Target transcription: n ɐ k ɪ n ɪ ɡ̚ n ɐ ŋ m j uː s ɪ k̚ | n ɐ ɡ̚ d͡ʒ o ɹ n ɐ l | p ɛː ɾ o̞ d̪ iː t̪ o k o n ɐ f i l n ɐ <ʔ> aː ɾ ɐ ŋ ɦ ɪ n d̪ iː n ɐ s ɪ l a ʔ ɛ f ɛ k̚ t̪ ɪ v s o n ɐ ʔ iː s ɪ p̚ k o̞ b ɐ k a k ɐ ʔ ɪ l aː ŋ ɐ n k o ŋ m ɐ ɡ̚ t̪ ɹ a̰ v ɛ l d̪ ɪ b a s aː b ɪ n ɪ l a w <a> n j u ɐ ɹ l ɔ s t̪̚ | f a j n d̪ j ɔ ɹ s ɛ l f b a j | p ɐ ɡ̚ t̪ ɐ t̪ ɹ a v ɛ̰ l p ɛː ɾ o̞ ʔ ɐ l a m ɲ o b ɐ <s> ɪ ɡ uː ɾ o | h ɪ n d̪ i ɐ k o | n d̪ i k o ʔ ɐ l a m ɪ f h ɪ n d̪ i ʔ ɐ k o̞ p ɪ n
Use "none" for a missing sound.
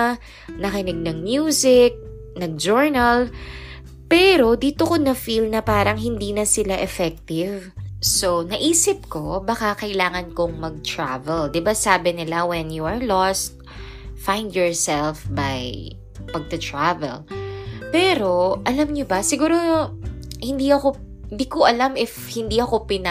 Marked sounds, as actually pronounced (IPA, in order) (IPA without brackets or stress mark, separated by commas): p, ɛ, s